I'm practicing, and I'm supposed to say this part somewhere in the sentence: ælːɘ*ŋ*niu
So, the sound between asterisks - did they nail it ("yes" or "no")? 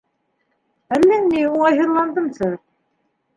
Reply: yes